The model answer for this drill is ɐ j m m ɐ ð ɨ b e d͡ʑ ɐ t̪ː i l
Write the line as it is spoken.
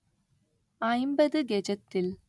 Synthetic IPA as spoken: ɐ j m b ɐ ð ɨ ɡ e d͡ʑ ɐ t̪ː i l